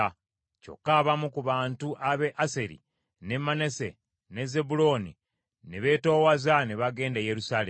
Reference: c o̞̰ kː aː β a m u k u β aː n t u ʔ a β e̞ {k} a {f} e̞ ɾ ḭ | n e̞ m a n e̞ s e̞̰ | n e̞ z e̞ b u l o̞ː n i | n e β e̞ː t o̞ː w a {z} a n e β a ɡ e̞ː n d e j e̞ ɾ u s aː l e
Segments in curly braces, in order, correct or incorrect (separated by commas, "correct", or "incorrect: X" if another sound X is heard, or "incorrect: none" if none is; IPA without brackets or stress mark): incorrect: ʔ, incorrect: s, correct